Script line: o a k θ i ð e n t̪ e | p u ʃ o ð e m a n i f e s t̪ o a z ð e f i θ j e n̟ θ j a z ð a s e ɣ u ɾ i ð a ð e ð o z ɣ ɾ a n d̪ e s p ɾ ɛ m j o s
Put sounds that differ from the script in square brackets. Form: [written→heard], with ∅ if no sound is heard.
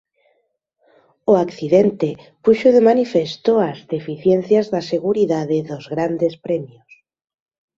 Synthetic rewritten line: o a k θ i ð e n t̪ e | p u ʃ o ð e m a n i f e s t̪ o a z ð e f i θ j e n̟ θ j a z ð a s e ɣ u ɾ i ð a ð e ð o z ɣ ɾ a n d̪ e s p ɾ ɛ m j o s